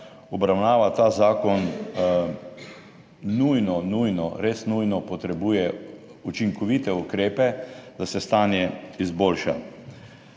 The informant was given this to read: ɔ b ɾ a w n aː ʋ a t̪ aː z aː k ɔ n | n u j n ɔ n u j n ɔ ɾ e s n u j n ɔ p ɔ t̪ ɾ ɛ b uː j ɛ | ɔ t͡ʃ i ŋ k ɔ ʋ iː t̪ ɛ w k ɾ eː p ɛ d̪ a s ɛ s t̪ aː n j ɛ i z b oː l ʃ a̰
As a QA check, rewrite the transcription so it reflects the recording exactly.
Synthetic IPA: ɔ b ɾ a w n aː ʋ a t̪ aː z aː k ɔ n | n u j n ɔ n u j n ɔ ɾ e s n u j n ɔ p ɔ t̪ ɾ ɛ b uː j ɛ | u t͡ʃ i ŋ k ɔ ʋ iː t̪ ɛ u k ɾ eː p ɛ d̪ a s ɛ s t̪ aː n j ɛ i z b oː l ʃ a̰